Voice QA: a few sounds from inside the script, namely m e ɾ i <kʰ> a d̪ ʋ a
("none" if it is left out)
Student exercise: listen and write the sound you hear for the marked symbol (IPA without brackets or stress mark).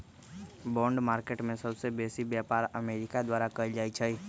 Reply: k